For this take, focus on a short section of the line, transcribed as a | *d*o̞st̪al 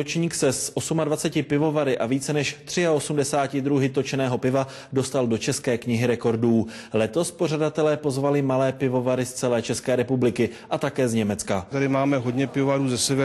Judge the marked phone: correct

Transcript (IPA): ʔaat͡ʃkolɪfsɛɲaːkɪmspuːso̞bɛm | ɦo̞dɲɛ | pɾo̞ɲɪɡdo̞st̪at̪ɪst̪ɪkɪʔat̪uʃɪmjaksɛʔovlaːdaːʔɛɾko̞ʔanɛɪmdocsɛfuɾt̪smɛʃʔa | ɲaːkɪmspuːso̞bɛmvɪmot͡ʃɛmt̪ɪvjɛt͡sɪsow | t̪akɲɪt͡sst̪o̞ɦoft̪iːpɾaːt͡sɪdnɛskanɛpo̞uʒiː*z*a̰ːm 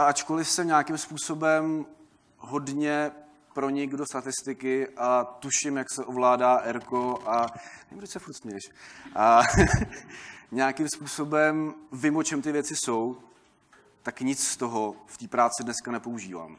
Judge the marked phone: incorrect: v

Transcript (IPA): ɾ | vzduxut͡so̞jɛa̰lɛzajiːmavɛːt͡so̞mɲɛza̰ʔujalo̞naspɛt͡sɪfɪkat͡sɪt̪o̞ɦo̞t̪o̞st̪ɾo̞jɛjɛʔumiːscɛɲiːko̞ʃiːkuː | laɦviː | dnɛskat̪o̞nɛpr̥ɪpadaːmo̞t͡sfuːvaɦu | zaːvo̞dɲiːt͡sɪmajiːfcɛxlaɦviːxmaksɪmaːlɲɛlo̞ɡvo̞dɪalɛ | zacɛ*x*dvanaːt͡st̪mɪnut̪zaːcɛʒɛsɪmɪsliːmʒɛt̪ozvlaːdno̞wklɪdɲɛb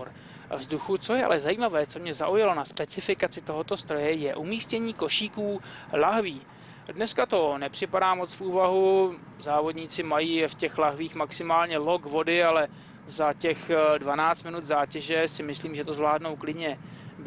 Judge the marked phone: correct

